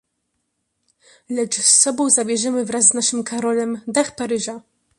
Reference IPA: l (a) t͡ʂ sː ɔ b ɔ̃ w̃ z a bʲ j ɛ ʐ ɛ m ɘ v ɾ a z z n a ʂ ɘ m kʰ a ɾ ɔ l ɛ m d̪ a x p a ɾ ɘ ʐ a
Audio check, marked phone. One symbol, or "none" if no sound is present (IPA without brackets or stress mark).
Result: ɛ